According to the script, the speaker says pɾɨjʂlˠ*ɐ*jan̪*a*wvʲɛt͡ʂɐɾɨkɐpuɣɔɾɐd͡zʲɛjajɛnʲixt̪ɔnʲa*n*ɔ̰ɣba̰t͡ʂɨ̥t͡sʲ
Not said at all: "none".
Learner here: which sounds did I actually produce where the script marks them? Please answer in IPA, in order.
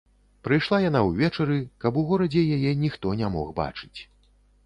a, a, m

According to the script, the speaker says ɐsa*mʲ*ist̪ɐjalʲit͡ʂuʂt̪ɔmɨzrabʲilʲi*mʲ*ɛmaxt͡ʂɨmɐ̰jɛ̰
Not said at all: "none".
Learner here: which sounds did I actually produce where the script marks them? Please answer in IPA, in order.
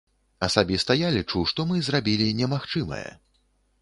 bʲ, nʲ

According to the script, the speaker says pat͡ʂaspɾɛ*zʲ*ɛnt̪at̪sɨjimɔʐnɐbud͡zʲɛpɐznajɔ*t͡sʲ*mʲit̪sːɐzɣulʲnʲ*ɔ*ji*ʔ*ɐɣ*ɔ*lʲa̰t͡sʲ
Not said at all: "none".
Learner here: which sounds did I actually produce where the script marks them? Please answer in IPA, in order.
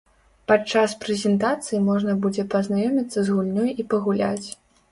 zʲ, none, ɔ, p, u

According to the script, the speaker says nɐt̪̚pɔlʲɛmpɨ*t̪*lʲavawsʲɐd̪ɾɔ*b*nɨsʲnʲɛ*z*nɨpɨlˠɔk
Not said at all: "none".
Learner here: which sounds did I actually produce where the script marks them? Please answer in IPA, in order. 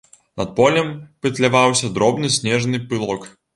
t̪, b, ʐ

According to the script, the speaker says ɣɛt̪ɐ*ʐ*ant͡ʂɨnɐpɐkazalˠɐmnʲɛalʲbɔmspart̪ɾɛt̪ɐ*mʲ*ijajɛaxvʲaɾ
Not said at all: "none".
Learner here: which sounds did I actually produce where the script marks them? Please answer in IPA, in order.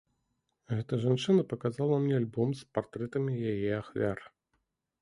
ʐ, mʲ

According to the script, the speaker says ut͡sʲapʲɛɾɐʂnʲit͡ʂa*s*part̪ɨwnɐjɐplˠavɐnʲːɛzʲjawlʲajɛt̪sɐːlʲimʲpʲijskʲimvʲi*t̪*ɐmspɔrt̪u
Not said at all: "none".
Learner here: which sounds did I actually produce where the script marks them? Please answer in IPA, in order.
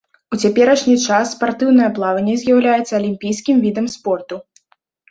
sː, d̪

